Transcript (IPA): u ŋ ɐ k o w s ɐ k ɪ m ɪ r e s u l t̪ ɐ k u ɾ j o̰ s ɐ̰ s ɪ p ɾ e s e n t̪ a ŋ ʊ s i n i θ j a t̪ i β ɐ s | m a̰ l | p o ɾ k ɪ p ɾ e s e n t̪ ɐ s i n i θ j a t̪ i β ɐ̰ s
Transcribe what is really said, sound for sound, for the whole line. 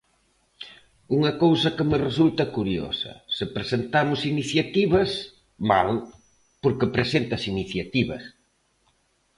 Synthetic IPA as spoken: u ŋ ɐ k o w s ɐ k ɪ m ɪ r e s u l t̪ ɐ k u ɾ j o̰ s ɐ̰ s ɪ p ɾ e s e n t̪ a m ʊ s i n i θ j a t̪ i β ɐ s | m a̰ l | p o ɾ k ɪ p ɾ e s e n t̪ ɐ s i n i θ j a t̪ i β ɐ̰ s